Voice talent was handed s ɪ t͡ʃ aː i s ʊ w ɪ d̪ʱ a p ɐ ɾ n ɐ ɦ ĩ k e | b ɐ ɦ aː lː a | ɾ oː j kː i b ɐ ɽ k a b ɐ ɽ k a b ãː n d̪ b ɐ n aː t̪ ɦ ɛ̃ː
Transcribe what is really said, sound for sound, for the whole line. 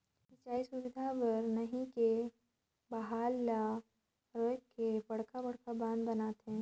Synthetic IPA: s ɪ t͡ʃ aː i s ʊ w ɪ d̪ʱ a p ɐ ɾ n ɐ ɦ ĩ k e | b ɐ ɦ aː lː a | ɾ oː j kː e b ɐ ɽ k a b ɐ ɽ k a b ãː n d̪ b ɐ n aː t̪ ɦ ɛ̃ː